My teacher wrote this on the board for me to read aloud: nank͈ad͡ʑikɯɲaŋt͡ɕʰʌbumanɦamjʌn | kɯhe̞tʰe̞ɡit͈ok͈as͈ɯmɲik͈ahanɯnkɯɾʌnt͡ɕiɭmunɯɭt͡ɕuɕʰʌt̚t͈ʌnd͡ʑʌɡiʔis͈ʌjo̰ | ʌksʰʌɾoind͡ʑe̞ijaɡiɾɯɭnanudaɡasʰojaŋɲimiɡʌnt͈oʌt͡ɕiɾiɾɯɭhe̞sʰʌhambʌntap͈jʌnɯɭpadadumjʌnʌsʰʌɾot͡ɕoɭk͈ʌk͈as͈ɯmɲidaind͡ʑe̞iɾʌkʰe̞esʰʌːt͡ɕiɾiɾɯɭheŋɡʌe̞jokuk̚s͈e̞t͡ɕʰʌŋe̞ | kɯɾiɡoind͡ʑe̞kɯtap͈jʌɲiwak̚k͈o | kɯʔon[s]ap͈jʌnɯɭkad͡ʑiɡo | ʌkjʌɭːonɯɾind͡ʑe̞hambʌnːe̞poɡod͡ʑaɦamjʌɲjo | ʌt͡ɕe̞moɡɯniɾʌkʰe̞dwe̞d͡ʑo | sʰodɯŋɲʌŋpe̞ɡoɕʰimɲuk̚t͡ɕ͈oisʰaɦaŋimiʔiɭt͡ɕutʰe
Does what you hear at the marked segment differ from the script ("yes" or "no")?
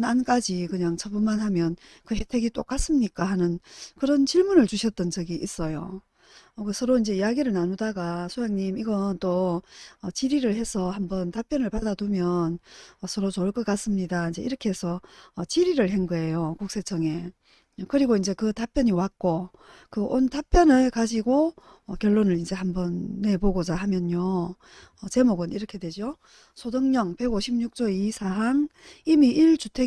yes